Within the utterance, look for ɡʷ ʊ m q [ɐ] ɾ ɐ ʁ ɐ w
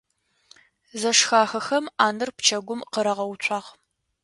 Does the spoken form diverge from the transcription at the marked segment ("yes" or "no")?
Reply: yes